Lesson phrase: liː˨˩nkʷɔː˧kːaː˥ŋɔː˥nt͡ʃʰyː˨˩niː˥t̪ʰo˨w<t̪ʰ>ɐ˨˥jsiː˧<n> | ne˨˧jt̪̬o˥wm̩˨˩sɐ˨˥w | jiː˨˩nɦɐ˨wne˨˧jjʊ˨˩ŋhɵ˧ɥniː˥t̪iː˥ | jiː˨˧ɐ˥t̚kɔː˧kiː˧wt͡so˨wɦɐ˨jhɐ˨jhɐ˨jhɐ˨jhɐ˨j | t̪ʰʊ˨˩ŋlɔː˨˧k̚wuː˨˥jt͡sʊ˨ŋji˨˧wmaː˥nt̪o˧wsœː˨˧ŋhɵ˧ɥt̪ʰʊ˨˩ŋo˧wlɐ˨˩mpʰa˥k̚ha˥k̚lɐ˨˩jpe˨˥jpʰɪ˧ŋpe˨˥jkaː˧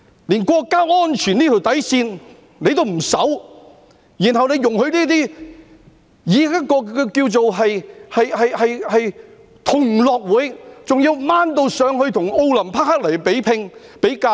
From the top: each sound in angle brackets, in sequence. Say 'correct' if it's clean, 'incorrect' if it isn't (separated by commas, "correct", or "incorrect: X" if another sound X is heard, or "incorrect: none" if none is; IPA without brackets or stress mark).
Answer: incorrect: t̪, correct